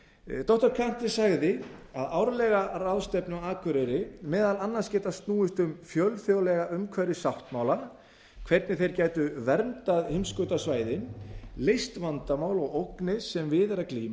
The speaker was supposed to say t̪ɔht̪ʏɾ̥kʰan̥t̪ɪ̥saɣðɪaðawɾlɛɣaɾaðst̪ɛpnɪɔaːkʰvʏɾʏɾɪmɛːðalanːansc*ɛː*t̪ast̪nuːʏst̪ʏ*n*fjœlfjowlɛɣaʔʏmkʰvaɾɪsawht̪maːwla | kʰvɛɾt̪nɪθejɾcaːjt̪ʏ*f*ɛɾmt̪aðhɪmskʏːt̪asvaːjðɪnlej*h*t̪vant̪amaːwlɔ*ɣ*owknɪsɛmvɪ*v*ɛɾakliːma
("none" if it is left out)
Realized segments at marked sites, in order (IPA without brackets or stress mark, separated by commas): ɛː, m, v, s, ɣ, ð